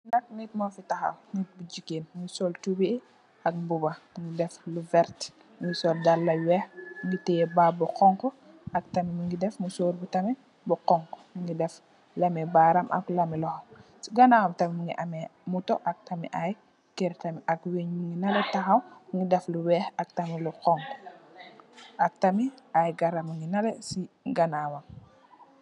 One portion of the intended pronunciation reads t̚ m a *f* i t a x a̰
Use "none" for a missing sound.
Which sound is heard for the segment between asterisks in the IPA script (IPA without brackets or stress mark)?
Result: f